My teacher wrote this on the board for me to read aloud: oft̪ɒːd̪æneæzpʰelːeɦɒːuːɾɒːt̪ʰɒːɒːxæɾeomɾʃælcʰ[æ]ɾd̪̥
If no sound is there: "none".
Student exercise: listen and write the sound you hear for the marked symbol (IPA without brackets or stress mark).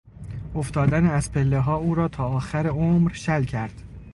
æ